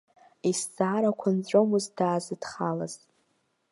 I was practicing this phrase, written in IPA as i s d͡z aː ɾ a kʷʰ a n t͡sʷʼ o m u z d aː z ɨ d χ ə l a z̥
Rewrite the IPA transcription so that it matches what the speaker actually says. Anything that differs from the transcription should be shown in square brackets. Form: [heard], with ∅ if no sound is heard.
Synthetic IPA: i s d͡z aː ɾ a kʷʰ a n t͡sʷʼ o m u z d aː z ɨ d χ [a] l a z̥

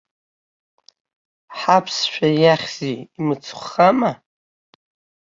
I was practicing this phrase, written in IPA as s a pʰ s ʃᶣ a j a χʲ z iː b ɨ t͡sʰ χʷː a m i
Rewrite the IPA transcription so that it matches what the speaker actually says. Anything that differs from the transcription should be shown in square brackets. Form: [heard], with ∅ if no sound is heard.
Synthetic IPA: [ħ] a pʰ s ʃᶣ a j a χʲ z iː [m] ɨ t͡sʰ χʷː a m [a]

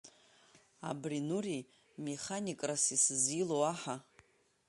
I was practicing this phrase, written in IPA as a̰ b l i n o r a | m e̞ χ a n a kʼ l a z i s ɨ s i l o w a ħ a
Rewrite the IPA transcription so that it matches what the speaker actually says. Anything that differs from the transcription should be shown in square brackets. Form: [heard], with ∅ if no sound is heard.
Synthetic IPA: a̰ b [r] i n [u] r [i] | m e̞ χ a n [i] kʼ [r] a [s] i s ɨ [z] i l o w a ħ a

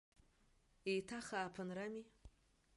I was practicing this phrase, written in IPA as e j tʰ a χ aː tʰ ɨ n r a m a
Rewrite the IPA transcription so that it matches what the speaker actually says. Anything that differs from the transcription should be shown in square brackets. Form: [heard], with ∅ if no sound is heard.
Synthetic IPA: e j tʰ a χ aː [pʰ] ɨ n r a m [i]

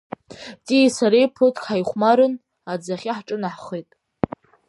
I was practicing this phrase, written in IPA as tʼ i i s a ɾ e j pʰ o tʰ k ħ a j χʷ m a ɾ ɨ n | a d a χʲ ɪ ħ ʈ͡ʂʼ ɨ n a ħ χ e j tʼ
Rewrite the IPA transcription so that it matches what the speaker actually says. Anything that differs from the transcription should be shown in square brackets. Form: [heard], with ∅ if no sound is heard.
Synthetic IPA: tʼ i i s a ɾ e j pʰ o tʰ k ħ a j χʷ m a ɾ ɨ n | a [d͡z] a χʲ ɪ ħ ʈ͡ʂʼ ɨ n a ħ χ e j tʼ

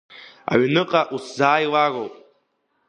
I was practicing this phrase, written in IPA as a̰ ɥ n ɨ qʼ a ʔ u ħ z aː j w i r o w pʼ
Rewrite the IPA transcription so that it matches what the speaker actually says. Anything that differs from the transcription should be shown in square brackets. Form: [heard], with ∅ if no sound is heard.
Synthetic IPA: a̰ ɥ n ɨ qʼ a ʔ u [s] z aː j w [a] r o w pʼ

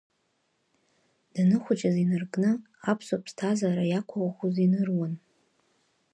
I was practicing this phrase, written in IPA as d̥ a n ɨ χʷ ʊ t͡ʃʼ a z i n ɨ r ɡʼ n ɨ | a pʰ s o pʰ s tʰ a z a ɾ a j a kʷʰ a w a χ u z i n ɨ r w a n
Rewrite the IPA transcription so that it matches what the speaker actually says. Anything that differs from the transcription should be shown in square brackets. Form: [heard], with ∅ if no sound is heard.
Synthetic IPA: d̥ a n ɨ χʷ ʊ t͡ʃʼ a z i n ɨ r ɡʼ n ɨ | a pʰ s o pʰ s tʰ a z a ɾ a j a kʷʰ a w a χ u z i n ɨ r w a n

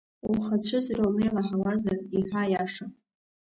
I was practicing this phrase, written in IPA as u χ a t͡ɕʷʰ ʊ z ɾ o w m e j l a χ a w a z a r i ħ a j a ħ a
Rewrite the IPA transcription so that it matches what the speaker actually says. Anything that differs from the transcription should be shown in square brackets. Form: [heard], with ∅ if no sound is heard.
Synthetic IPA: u χ a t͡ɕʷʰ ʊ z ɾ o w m e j l a [ħ] a w a z a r i ħ a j a [ʂ] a

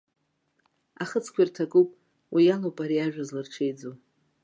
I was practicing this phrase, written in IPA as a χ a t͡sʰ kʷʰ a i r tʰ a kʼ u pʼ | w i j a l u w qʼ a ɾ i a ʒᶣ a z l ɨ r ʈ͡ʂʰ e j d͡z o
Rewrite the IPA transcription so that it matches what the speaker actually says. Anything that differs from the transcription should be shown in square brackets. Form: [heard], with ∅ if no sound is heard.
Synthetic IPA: a χ [ə] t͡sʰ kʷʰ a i r tʰ a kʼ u pʼ | w i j a l [o] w [pʼ] a ɾ i a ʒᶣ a z l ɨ r ʈ͡ʂʰ e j d͡z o

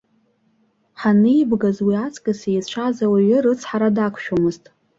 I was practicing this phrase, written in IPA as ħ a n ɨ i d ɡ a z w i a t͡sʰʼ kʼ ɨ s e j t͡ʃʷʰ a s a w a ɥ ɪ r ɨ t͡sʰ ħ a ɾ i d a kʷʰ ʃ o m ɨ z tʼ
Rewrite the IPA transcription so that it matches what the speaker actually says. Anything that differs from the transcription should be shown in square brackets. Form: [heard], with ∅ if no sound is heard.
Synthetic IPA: ħ a n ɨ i [b] ɡ a z w i a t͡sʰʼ kʼ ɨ s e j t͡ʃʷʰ a [z] a w a ɥ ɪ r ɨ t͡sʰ ħ a ɾ [a] d a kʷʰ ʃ o m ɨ z tʼ

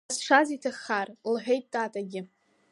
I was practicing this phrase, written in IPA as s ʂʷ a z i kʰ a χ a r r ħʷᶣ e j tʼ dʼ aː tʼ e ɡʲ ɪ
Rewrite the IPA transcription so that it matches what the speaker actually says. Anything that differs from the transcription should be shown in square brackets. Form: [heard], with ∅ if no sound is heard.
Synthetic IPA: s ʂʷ a z i [tʰ] a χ a r [l] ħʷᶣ e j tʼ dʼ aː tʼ [a] ɡʲ ɪ

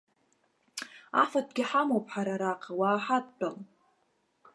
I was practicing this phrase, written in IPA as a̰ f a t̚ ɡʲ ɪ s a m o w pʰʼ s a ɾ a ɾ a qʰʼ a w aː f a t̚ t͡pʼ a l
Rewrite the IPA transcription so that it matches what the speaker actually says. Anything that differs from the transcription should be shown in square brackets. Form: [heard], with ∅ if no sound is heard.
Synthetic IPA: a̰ f a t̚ ɡʲ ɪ [ħ] a m o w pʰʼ [ħ] a ɾ a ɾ a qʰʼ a w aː [ħ] a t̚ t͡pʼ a l

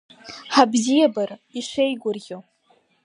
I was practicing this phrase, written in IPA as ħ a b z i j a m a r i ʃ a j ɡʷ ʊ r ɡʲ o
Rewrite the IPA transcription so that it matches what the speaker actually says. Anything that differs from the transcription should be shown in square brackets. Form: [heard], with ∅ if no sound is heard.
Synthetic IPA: ħ a b z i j a [b] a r i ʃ [e] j ɡʷ ʊ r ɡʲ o

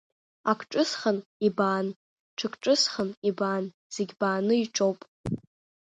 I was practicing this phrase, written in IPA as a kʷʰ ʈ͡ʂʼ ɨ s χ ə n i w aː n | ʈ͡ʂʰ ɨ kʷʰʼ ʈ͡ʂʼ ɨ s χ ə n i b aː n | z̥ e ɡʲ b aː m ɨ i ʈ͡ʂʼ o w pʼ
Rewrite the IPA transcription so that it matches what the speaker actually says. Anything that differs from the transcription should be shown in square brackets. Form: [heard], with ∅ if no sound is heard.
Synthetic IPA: a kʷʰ ʈ͡ʂʼ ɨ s χ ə n i [b] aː n | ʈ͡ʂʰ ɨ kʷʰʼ ʈ͡ʂʼ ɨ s χ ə n i b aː n | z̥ e ɡʲ b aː [n] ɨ i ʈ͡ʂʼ o w pʼ

